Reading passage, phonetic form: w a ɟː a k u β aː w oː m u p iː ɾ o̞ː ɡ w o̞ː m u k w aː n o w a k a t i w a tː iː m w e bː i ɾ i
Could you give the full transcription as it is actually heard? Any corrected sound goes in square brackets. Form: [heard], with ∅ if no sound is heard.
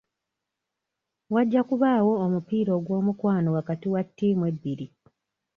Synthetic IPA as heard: w a ɟː a k u β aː w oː m u p iː ɾ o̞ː ɡ w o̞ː m u k w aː n o w a k a t i w a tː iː m w e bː i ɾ i